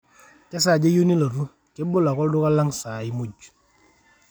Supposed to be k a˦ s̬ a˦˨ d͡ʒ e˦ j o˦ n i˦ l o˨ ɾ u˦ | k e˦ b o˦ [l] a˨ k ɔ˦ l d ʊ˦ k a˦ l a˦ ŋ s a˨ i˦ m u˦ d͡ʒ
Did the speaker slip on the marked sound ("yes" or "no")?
no